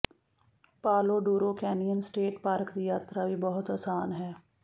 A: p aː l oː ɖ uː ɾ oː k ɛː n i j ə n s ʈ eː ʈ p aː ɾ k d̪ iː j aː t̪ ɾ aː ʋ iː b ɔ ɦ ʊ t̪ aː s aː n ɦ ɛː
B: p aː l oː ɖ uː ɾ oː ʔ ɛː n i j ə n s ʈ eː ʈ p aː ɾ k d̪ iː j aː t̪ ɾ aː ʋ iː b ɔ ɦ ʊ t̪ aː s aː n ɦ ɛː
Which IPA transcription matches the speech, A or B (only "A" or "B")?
A